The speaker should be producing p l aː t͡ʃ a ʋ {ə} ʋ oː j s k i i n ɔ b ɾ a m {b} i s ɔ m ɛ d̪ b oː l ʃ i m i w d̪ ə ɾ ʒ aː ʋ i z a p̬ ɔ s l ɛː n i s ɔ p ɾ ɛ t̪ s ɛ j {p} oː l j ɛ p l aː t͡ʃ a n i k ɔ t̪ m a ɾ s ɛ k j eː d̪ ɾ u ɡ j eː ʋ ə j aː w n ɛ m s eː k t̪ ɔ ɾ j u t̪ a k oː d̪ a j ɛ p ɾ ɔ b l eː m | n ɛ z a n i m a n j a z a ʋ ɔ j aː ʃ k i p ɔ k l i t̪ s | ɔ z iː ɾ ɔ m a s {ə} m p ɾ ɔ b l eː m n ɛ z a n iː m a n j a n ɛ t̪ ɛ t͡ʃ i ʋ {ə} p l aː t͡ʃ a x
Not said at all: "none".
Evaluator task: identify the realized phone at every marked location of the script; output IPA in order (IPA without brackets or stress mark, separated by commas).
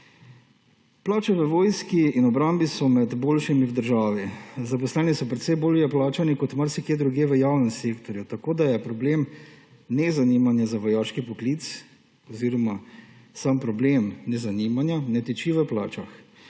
ə, b, b, a, ə